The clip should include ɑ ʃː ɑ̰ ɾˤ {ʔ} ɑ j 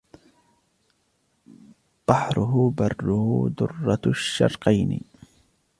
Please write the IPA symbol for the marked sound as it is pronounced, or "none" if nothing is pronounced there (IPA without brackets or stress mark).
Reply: q